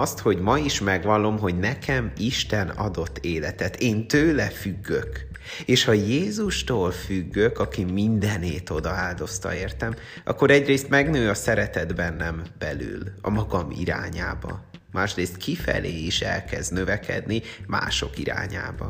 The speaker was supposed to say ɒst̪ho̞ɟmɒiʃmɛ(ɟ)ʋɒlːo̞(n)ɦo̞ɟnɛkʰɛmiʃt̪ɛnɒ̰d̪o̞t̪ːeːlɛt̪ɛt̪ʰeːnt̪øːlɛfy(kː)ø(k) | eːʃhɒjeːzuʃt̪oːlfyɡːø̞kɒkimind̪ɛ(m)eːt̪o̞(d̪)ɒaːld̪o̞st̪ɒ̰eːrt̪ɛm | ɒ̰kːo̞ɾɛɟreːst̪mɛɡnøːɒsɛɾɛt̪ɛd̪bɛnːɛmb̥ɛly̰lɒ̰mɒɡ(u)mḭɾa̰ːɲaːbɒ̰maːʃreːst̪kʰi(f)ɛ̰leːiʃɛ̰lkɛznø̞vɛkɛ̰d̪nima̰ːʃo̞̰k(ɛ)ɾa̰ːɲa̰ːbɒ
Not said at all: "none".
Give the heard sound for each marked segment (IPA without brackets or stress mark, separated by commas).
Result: ɡ, m, ɡː, k, n, d̪, ɒ, f, i